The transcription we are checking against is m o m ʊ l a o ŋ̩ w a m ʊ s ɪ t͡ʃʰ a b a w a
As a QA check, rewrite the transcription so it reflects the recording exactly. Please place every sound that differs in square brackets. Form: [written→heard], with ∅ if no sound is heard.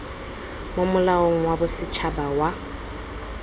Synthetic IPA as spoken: m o m ʊ l a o ŋ̩ w a [m→b] ʊ s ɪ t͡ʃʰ a b a w a

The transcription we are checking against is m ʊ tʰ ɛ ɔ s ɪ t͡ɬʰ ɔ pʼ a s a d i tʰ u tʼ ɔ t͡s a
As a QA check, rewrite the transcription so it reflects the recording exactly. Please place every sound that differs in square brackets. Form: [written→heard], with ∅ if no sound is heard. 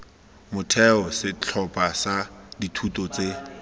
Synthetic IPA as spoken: m ʊ tʰ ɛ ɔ s ɪ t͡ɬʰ ɔ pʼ a s a d i tʰ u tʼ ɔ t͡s [a→e]

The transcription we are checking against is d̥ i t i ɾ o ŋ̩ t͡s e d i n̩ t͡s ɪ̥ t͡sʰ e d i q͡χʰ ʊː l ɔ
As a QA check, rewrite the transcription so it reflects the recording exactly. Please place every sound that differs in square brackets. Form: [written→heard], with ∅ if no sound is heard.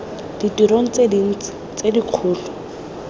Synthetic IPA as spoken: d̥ i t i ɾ o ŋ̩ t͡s e d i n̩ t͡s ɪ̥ [t͡sʰ→t͡s] e d i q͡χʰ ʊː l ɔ

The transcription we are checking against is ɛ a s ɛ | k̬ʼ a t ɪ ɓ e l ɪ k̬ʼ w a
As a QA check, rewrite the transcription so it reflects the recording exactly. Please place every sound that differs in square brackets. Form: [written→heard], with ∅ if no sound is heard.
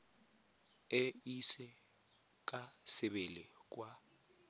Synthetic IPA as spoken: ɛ [a→i] s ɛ | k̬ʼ a [t→s] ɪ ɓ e l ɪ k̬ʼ w a

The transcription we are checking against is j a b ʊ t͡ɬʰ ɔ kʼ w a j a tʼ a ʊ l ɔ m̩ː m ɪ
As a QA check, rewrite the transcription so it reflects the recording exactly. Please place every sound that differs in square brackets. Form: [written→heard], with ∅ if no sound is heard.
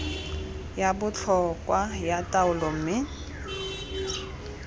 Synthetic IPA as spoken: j a b ʊ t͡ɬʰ ɔ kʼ w a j a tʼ a ʊ l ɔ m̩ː m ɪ

